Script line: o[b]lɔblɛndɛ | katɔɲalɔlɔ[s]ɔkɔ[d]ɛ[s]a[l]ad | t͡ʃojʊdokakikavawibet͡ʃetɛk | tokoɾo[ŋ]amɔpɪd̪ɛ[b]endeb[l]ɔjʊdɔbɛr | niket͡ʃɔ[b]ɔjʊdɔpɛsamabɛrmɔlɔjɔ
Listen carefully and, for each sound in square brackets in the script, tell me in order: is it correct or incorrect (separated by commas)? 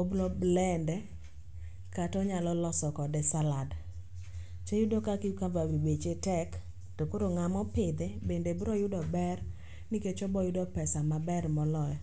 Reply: correct, correct, correct, correct, correct, correct, correct, incorrect, correct